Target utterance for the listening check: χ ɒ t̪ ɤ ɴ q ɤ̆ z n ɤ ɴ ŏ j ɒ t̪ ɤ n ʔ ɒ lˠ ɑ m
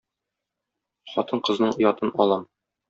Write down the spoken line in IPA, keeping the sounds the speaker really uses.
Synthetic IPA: χ ɒ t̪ ɤ ɴ q ɤ̆ z n ɤ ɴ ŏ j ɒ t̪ ɤ n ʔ ɒ lˠ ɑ m